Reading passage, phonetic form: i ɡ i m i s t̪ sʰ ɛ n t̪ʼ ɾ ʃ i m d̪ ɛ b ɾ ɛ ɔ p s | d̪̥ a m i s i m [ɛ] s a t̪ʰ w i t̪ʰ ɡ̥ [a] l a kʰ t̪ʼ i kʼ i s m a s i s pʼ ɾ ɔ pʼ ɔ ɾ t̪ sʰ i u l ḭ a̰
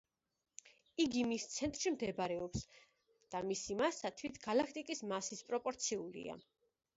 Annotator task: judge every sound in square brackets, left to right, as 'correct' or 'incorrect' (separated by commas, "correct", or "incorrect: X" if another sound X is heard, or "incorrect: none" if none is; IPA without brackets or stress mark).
incorrect: a, correct